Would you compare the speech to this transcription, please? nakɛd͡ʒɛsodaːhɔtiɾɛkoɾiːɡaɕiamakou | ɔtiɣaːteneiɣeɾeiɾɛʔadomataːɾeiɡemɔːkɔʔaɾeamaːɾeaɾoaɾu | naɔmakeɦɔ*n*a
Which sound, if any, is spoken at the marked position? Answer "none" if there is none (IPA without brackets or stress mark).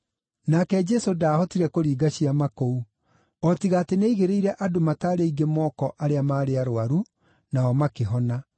n